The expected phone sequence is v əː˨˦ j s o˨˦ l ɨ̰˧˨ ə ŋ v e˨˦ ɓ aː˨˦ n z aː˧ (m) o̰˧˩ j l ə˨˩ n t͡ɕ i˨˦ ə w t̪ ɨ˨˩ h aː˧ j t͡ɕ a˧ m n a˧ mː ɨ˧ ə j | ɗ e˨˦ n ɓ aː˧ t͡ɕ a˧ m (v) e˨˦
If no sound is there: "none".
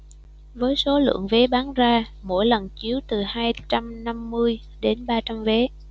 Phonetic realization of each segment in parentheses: m, v

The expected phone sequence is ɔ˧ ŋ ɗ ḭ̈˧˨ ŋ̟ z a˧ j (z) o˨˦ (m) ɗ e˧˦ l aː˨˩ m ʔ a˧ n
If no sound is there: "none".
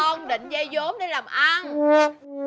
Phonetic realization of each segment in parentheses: z, m

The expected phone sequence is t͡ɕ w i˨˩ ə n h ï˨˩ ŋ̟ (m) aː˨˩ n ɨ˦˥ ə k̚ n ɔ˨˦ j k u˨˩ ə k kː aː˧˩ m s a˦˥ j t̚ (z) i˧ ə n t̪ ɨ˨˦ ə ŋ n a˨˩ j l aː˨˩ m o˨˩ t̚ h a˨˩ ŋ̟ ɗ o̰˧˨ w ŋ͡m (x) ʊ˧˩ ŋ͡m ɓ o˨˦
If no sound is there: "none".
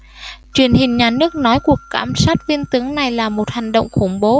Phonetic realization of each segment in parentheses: ɲ, v, x

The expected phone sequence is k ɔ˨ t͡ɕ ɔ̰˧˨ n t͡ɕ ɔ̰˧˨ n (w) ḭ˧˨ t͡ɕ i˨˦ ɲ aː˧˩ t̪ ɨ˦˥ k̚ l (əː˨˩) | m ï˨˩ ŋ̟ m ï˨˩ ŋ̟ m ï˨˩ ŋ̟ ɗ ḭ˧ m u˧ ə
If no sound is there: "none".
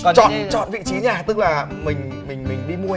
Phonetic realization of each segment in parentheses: v, aː˨˩

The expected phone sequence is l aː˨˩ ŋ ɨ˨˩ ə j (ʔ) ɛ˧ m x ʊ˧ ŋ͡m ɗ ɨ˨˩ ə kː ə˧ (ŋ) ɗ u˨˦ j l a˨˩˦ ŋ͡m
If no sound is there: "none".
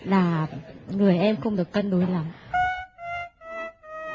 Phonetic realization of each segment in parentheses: ʔ, n

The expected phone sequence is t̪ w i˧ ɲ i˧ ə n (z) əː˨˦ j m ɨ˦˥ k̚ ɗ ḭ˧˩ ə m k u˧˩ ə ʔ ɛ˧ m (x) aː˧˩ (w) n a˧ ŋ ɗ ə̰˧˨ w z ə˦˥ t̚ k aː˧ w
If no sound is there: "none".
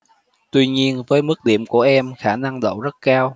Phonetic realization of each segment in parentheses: v, x, none

